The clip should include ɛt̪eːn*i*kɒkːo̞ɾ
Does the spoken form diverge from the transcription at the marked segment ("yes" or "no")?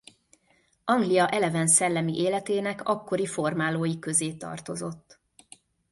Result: yes